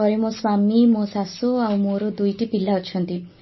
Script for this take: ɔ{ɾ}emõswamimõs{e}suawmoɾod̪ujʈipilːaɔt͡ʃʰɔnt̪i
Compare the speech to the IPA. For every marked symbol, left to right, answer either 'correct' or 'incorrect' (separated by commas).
correct, incorrect